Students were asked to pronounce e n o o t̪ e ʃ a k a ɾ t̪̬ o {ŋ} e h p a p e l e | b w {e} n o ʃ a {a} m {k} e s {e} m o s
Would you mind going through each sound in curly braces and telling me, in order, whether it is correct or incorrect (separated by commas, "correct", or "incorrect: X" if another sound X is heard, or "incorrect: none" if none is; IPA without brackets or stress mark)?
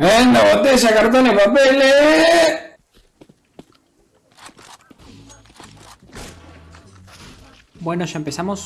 incorrect: n, correct, incorrect: e, incorrect: p, incorrect: a